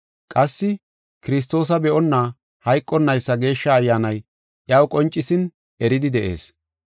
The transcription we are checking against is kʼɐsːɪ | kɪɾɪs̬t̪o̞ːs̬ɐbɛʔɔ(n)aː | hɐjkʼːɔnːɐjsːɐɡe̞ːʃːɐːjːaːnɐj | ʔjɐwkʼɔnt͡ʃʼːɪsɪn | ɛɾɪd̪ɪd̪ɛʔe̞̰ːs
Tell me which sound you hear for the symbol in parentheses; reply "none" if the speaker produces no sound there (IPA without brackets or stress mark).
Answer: nː